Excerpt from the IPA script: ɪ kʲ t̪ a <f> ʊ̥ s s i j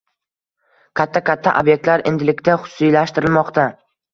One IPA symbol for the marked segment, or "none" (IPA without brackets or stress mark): χ